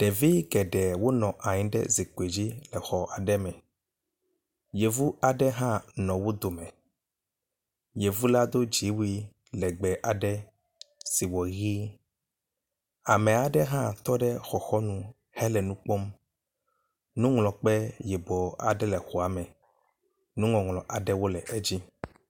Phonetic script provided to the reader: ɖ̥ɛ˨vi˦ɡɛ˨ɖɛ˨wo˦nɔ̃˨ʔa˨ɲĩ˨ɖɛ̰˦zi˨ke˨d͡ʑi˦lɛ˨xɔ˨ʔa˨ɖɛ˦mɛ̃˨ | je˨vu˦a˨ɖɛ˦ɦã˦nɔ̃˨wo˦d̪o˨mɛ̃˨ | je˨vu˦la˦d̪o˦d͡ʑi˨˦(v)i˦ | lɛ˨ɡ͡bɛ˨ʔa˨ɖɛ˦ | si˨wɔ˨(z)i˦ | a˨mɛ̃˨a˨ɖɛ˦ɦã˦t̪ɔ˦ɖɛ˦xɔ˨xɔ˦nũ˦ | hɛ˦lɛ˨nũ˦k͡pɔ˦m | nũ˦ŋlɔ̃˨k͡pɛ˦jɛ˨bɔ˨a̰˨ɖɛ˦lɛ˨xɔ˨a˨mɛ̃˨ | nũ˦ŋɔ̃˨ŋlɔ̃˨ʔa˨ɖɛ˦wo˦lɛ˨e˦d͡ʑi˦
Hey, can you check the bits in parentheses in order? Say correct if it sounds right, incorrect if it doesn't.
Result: incorrect: w, incorrect: ɣ

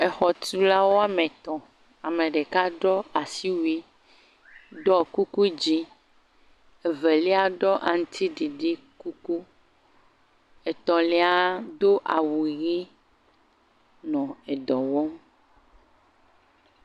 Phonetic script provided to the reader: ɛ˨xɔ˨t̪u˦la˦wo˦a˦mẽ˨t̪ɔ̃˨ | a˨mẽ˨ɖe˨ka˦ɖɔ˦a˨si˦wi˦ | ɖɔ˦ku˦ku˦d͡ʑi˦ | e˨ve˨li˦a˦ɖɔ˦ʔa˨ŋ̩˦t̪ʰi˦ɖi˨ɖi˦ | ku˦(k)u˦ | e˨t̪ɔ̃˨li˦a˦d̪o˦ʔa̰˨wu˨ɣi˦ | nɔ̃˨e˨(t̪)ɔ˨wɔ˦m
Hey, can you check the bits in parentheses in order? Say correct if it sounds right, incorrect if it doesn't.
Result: correct, incorrect: d̪

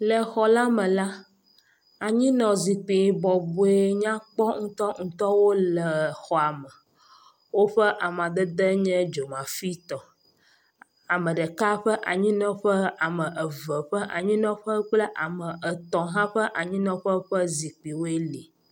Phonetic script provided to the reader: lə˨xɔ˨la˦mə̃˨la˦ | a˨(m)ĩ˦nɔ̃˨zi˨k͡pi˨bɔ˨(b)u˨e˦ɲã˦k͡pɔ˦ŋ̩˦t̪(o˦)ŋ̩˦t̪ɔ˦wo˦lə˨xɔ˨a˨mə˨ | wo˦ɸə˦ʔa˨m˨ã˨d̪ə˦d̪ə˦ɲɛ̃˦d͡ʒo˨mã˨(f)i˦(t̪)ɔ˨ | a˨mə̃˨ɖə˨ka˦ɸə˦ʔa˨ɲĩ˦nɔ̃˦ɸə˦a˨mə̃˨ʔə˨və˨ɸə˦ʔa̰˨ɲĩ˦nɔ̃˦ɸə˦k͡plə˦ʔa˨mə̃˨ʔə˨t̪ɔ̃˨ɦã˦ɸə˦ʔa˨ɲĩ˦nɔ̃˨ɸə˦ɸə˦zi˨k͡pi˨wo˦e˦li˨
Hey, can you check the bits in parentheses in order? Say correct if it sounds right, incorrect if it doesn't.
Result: incorrect: ɲ, correct, incorrect: ɔ˦, correct, correct

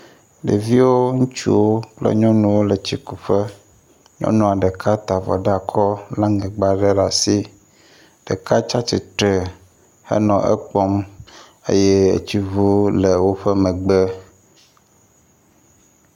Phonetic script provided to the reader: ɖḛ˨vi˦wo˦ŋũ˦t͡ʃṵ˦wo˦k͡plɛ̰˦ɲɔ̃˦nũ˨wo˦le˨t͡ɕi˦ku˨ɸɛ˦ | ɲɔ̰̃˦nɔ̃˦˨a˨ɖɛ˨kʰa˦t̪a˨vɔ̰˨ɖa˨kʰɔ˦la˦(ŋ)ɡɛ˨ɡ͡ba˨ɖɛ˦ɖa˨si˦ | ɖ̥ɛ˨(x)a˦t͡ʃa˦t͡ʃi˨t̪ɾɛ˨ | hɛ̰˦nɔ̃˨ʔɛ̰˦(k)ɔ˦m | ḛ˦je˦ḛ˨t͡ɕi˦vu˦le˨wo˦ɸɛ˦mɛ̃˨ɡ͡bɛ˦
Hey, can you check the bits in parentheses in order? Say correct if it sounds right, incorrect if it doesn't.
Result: correct, incorrect: k, incorrect: k͡p

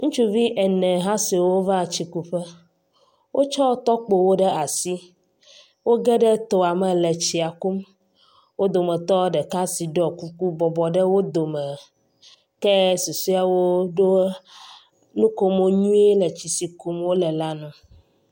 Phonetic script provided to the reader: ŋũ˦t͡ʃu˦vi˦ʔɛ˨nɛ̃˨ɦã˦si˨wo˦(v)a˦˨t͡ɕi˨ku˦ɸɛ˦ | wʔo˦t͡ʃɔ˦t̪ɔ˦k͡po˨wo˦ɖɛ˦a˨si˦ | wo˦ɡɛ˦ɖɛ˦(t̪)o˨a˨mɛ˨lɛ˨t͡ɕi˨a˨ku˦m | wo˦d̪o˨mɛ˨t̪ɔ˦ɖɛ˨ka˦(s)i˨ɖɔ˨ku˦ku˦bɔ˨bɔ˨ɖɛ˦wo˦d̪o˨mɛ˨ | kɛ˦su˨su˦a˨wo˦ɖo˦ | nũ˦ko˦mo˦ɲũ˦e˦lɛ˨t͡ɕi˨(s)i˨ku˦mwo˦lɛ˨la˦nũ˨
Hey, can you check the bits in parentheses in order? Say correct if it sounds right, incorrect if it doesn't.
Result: correct, correct, correct, correct

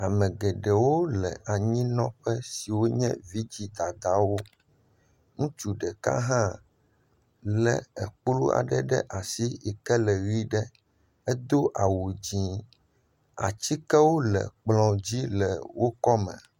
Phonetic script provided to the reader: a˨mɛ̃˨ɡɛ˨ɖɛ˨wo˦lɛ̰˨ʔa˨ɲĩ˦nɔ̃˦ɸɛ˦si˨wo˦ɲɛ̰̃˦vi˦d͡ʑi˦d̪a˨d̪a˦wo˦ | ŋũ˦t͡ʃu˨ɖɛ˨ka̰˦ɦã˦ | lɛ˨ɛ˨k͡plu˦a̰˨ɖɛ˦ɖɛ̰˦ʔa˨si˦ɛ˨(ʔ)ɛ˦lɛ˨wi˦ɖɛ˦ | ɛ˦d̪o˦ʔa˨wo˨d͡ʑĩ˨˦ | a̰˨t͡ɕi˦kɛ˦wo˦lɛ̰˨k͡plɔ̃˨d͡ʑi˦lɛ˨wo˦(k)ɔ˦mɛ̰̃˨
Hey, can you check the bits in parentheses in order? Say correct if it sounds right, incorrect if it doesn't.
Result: incorrect: k, correct

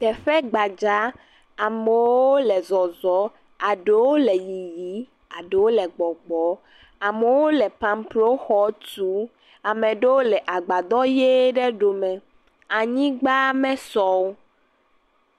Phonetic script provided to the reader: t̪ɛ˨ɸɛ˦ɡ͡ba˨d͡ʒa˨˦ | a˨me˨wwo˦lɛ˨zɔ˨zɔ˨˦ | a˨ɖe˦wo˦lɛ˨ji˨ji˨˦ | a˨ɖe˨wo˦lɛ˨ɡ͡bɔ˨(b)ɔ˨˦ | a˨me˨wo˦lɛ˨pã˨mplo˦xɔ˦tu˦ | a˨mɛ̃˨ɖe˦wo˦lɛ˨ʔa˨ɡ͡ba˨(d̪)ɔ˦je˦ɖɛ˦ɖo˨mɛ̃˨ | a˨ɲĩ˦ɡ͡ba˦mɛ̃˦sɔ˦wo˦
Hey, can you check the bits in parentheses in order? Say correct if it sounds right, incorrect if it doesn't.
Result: incorrect: ɡ͡b, correct

